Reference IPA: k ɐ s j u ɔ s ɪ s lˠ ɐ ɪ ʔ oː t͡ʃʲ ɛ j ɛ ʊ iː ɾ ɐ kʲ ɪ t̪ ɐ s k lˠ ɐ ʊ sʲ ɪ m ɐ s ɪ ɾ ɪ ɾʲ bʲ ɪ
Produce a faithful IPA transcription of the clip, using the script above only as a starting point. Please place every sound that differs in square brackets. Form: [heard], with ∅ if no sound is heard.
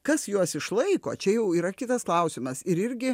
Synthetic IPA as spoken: k ɐ s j u ɔ s ɪ [ʃ] lˠ ɐ ɪ [k] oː t͡ʃʲ ɛ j ɛ ʊ iː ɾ ɐ kʲ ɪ t̪ ɐ s k lˠ ɐ ʊ sʲ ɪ m ɐ s ɪ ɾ ɪ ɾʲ [ɡʲ] ɪ